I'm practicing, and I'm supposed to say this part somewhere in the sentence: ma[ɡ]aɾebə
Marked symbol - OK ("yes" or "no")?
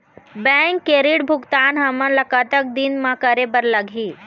no